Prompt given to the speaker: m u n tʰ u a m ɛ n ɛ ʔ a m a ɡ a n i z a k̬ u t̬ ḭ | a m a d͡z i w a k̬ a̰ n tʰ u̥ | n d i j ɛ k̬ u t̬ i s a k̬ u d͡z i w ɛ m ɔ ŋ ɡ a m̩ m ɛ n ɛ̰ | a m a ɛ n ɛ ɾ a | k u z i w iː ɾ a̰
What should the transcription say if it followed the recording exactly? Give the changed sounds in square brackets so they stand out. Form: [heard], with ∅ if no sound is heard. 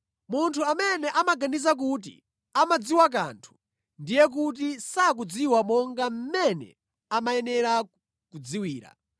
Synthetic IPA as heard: m u n tʰ u a m ɛ n ɛ ʔ a m a ɡ a n i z a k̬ u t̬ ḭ | a m a d͡z i w a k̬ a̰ n tʰ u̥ | n d i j ɛ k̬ u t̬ i s a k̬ u d͡z i w [a] m ɔ ŋ ɡ a m̩ m ɛ n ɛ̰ | a m a ɛ n ɛ ɾ a | k u [d͡z] i w iː ɾ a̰

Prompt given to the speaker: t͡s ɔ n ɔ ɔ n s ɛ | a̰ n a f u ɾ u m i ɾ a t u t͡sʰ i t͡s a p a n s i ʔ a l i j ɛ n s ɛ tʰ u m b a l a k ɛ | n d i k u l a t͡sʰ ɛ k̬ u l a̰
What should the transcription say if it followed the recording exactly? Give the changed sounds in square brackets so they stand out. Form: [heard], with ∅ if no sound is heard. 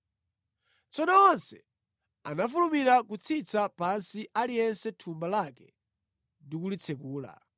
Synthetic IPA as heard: t͡s ɔ n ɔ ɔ n s ɛ | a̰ n a f u [l] u m i ɾ a [k] u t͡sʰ i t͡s a p a n s i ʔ a l i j ɛ n s ɛ tʰ u m b a l a k ɛ | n d i k u l [i] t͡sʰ ɛ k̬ [uː] l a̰

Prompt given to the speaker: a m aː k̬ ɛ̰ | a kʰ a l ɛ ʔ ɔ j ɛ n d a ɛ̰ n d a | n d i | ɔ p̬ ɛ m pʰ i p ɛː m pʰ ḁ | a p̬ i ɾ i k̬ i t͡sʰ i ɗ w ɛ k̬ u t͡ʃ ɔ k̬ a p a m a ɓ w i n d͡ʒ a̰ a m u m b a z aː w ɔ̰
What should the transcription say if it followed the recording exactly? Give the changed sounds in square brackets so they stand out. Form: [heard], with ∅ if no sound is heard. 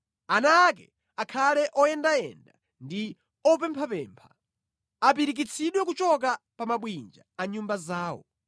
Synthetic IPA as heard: a [n] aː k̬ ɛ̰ | a kʰ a l ɛ ʔ ɔ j ɛ n d a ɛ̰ n d a | n d i | ɔ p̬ ɛ m pʰ [a] p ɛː m pʰ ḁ | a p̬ i ɾ i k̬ i t͡sʰ i ɗ w ɛ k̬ u t͡ʃ ɔ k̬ a p a m a ɓ w i n d͡ʒ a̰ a [ɲ] u m b a z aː w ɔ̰

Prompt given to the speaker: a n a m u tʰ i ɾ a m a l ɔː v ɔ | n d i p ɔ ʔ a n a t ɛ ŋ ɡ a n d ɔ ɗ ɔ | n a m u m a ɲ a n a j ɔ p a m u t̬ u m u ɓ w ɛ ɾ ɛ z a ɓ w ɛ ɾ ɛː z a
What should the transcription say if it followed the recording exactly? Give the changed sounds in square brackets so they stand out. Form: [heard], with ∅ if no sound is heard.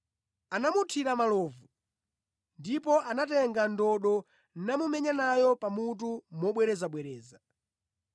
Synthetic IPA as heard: a n a m u tʰ i ɾ a m a l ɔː v [u] | n d i p ɔ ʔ a n a t ɛ ŋ ɡ a n d ɔ ɗ ɔ | n a m u m [ɛ] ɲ a n a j ɔ p a m u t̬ u m [ɔ] ɓ w ɛ ɾ ɛ z a ɓ w ɛ ɾ ɛː z a

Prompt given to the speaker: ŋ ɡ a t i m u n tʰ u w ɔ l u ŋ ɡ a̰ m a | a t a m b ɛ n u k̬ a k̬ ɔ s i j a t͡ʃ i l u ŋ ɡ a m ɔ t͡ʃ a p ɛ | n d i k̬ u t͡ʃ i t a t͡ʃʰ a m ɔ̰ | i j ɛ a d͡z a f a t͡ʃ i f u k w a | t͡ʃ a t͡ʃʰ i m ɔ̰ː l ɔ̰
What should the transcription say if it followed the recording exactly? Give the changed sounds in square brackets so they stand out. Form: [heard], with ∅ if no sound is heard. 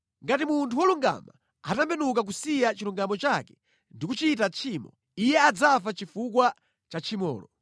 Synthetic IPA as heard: ŋ ɡ a t i m u n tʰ u w ɔ l u ŋ ɡ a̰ m a | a t a m b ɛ n u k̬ a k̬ [u] s i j a t͡ʃ i l u ŋ ɡ a m ɔ t͡ʃ a [k] ɛ | n d i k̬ u t͡ʃ i t a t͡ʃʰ [i] m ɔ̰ | i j ɛ a d͡z a f a t͡ʃ i f u k w a | t͡ʃ a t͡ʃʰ i m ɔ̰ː l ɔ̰

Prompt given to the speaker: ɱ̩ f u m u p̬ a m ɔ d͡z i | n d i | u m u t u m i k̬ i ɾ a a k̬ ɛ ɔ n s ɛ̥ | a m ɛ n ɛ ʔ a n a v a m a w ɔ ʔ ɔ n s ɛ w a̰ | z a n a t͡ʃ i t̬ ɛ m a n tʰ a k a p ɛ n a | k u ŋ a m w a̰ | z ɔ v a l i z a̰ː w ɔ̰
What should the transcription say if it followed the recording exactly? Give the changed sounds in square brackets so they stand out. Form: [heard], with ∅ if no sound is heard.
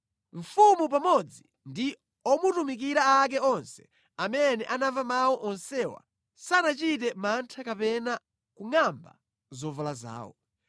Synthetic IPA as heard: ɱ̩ f u m u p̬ a m ɔ d͡z i | n d i | [ɔ] m u t u m i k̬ i ɾ a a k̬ ɛ ɔ n s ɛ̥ | a m ɛ n ɛ ʔ a n a v a m a w ɔ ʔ ɔ n s ɛ w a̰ | [s] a n a t͡ʃ i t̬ ɛ m a n tʰ a k a p ɛ n a | k u ŋ a m [b] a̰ | z ɔ v a l [a] z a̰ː w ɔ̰

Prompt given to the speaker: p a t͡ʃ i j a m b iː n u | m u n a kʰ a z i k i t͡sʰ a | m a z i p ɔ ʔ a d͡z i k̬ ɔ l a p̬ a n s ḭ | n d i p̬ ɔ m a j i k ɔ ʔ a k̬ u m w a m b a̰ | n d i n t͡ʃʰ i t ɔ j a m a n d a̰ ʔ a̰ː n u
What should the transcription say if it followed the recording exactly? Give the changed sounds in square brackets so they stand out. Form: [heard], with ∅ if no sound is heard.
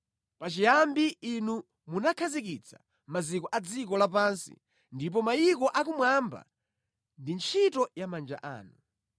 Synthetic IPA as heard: p a t͡ʃ i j a m b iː n u | m u n a kʰ a z i k i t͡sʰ a | m a z i [k] ɔ ʔ a d͡z i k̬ ɔ l a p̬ a n s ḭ | n d i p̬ ɔ m a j i k ɔ ʔ a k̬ u m w a m b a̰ | n d i n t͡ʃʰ i t ɔ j a m a n [d͡ʒ] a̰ ʔ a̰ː n u

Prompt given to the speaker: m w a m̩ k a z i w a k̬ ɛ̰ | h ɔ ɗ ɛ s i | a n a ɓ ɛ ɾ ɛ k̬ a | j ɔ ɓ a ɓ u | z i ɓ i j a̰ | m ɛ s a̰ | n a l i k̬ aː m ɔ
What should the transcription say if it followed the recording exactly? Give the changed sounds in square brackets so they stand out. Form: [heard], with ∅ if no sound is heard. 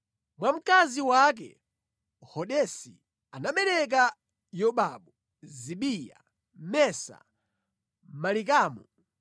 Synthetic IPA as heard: m w a m̩ k a z i w a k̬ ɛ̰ | h ɔ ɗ ɛ s i | a n a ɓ ɛ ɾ ɛ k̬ a | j ɔ ɓ a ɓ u | z i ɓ i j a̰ | m ɛ s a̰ | [m] a l i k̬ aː m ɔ

